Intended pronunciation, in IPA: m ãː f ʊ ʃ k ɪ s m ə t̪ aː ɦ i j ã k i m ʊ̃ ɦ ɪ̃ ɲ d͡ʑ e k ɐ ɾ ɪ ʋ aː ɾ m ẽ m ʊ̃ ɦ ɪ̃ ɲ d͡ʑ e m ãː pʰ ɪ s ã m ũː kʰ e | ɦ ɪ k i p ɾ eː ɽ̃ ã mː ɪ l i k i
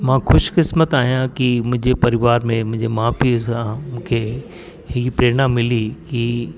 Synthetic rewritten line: m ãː x ʊ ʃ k ɪ s m ə t̪ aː ɦ i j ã k i m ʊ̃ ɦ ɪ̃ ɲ d͡ʑ e p ɐ ɾ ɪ ʋ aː ɾ m ẽ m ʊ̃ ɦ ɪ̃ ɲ d͡ʑ e m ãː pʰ i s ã m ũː kʰ e | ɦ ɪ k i p ɾ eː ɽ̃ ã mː ɪ l i k i

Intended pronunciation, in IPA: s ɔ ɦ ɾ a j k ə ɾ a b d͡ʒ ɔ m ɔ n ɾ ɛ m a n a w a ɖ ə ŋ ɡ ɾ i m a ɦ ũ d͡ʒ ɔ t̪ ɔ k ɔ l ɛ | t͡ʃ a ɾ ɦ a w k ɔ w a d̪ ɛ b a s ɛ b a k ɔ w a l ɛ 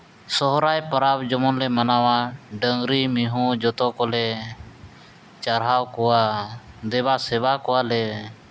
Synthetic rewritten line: s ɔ ɦ ɾ a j p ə ɾ a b d͡ʒ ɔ m ɔ n l ɛ m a n a w a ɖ ə ŋ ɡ ɾ i m i ɦ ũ d͡ʒ ɔ t̪ ɔ k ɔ l ɛ | t͡ʃ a ɾ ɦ a w k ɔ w a d̪ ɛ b a s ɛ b a k ɔ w a l ɛ

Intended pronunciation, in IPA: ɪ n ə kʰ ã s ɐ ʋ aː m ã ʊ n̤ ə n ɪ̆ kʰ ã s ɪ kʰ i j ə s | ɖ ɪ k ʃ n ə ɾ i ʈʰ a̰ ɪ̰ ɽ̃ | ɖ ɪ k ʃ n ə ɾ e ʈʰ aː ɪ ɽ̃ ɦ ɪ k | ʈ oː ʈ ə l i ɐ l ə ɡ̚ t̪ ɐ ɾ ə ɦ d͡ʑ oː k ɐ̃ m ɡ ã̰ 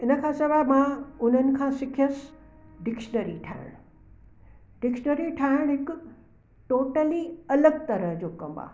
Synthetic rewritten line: ɪ n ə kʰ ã s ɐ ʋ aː m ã ʊ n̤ ə n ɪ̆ kʰ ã s ɪ kʰ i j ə s | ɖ ɪ k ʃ n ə ɾ i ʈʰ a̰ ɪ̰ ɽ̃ | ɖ ɪ k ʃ n ə ɾ i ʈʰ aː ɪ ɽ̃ ɦ ɪ k | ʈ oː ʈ ə l i ɐ l ə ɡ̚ t̪ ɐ ɾ ə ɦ d͡ʑ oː k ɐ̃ m b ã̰

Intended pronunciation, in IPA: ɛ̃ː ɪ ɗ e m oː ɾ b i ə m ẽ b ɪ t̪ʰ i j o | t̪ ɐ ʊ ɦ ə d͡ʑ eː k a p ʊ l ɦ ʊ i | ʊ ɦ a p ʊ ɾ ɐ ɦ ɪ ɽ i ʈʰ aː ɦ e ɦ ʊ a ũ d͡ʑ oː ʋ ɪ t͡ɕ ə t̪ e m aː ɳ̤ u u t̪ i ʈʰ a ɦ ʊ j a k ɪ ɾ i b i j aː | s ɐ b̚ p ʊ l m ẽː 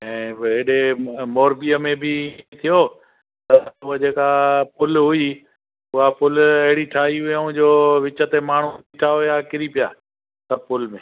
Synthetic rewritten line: ɛ̃ː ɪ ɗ e m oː ɾ b i ə m ẽ b ɪ t̪ʰ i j o | t̪ ɐ ʊ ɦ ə d͡ʑ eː k a p ʊ l ɦ ʊ i | ʊ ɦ a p ʊ l ɐ ɦ ɪ ɽ i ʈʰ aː ɦ i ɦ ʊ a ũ d͡ʑ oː ʋ ɪ t͡ɕ ə t̪ e m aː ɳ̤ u u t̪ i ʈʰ a ɦ ʊ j a k ɪ ɾ i p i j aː | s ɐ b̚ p ʊ l m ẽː

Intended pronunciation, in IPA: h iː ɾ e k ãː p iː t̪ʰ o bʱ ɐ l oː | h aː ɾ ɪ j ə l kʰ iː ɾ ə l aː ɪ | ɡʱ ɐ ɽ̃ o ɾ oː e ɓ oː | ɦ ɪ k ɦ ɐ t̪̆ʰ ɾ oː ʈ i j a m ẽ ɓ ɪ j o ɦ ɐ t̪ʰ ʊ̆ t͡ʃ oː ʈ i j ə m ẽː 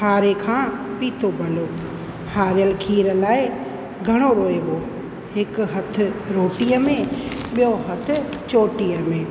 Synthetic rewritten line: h aː ɾ e kʰ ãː p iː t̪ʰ o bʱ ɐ l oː | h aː ɾ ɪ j ə l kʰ iː ɾ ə l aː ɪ | ɡʱ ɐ ɽ̃ o ɾ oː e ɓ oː | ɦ ɪ k ɦ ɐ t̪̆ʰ ɾ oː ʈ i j ə m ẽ ɓ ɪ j o ɦ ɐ t̪ʰ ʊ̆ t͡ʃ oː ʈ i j ə m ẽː

